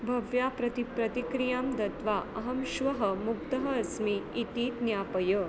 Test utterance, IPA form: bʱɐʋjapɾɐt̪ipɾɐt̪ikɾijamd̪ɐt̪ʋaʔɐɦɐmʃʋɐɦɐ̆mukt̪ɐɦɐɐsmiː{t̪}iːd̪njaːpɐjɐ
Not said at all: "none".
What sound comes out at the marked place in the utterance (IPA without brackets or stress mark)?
t̪